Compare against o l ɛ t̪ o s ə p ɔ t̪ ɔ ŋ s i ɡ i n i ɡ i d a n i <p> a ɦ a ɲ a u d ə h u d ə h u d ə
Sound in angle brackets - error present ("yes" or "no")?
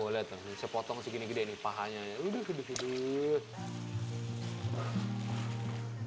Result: no